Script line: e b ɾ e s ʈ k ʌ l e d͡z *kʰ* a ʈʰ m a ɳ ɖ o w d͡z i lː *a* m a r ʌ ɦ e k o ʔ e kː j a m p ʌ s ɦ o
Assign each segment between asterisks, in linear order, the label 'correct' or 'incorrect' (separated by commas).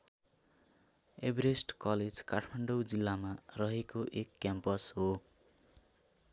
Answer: incorrect, correct